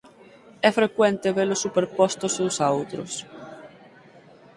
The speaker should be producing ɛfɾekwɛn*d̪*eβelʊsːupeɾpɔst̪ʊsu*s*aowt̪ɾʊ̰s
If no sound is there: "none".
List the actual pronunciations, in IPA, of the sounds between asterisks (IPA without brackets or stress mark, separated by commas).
t̪, s